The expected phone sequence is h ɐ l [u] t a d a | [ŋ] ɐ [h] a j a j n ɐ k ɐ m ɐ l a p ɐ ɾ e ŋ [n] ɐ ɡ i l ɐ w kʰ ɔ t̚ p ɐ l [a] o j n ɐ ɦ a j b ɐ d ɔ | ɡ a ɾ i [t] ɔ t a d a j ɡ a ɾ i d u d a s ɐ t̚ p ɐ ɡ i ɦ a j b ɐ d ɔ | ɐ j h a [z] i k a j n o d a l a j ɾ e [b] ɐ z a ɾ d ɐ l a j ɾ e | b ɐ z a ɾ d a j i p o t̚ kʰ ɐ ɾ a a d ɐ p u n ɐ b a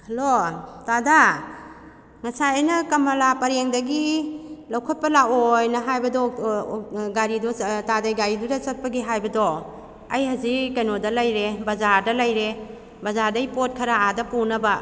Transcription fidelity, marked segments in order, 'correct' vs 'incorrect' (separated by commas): incorrect, correct, incorrect, incorrect, correct, incorrect, correct, correct